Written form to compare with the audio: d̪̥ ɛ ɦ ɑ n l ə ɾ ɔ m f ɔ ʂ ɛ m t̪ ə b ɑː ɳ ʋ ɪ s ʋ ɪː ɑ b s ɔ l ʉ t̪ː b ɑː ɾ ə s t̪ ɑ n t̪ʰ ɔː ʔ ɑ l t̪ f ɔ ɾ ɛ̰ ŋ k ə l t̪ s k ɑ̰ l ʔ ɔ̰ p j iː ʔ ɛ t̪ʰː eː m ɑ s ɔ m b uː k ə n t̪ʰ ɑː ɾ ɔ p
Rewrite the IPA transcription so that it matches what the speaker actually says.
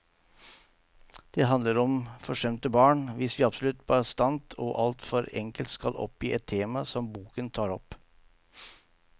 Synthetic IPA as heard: d̪̥ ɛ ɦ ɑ n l ə ɾ ɔ m f ɔ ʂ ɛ m t̪ ə b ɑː ɳ ʋ ɪ s ʋ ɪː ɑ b s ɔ l ʉ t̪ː b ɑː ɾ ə s t̪ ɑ n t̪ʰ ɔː ʔ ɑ l t̪ f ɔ ɾ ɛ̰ ŋ k ə l t̪ s k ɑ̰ l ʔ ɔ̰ p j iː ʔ ɛ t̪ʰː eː m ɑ s ɔ m b uː k ə n t̪ʰ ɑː ɾ ɔ p